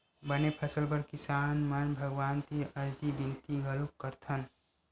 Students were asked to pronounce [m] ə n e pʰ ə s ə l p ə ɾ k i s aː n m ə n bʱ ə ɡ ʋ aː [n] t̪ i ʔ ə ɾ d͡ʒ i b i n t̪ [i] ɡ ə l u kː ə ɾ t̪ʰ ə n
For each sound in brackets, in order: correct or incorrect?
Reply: incorrect, correct, correct

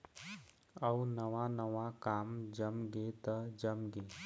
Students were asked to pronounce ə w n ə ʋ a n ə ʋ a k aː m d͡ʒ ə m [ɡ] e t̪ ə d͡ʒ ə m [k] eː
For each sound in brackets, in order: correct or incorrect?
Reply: correct, incorrect

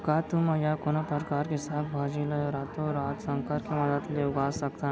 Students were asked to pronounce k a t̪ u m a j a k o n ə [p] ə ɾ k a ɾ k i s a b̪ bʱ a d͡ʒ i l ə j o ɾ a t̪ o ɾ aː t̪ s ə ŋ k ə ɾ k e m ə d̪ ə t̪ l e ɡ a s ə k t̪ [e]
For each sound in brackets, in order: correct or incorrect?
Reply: correct, incorrect

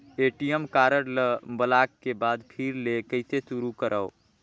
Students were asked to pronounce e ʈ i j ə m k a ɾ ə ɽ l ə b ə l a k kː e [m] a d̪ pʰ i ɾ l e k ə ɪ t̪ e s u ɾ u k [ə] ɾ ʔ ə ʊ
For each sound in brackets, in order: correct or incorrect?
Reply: incorrect, correct

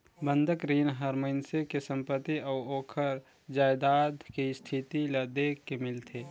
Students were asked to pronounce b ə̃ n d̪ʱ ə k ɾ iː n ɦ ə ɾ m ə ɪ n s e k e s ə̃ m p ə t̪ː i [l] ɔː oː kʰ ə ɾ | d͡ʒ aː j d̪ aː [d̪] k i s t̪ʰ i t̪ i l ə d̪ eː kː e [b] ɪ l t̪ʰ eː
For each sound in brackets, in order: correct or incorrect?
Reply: incorrect, correct, incorrect

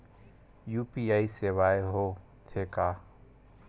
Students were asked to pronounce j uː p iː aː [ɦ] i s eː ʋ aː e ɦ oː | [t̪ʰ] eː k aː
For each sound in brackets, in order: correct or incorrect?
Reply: incorrect, correct

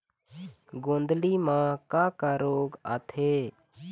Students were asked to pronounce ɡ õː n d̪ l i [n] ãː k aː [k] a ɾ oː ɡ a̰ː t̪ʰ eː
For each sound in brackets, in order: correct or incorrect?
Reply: incorrect, correct

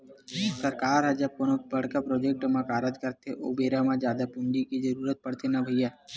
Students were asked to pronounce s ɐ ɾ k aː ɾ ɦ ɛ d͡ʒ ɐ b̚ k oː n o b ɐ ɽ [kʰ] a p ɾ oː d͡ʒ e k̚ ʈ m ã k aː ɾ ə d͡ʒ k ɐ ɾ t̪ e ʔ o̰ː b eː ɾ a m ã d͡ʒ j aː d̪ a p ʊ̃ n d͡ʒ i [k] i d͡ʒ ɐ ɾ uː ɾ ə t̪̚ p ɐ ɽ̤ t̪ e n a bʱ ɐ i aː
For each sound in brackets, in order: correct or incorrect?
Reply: incorrect, correct

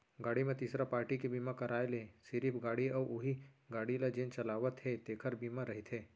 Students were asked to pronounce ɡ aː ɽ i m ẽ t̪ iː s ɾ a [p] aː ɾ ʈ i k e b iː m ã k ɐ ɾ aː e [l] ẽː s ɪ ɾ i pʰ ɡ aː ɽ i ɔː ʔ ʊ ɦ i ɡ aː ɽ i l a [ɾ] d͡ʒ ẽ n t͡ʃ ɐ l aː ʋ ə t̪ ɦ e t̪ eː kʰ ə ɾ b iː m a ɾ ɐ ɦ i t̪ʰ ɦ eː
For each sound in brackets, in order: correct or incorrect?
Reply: correct, correct, incorrect

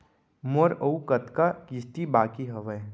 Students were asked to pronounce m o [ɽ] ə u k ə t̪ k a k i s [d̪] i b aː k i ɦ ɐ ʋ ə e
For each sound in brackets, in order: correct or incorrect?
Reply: incorrect, incorrect

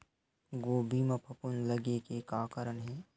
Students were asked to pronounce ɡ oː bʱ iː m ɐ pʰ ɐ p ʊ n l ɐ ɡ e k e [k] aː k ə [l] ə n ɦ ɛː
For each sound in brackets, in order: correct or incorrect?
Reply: correct, incorrect

